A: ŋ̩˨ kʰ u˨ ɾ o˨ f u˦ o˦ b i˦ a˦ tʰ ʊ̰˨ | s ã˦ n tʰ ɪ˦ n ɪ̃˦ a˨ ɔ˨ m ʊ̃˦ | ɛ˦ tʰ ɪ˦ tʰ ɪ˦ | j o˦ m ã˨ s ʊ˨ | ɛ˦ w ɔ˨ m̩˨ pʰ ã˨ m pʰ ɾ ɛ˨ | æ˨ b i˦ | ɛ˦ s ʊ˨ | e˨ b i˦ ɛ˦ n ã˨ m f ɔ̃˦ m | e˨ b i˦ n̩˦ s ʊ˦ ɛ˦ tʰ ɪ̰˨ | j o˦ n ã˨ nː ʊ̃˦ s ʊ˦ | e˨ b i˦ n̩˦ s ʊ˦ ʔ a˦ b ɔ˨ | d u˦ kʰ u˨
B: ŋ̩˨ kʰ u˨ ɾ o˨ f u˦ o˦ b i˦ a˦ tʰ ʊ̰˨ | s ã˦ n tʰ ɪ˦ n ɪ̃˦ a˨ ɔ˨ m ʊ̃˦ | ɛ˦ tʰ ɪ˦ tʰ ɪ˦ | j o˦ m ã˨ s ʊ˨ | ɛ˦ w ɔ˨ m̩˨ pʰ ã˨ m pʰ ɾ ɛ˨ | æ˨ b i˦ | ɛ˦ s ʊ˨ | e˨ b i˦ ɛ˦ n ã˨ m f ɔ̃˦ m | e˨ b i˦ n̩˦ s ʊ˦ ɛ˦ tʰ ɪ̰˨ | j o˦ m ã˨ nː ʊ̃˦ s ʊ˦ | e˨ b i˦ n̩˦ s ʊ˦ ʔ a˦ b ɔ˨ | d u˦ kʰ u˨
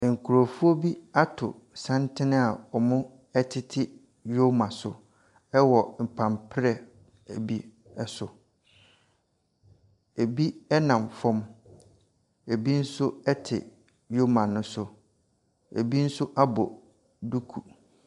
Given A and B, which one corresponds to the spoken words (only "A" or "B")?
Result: B